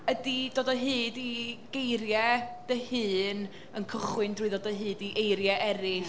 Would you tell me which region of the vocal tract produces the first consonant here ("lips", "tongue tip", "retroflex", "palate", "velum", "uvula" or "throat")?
tongue tip